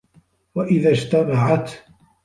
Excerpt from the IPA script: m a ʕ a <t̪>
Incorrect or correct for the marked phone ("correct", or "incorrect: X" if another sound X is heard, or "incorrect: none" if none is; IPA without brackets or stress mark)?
correct